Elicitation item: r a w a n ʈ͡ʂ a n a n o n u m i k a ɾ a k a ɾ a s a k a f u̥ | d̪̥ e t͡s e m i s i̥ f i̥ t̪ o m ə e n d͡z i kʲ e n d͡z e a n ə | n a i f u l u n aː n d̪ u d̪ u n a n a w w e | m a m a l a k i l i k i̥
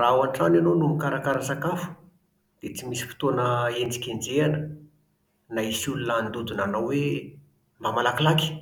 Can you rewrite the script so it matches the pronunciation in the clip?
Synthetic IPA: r a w a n ʈ͡ʂ a n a n o n u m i k a ɾ a k a ɾ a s a k a f u̥ | d̪̥ e t͡s i m i s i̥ f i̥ t̪ o n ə e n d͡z i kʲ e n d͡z e a n ə | n a i s u l u n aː n d̪ u d̪ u n a n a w w e | m a m a l a k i l a k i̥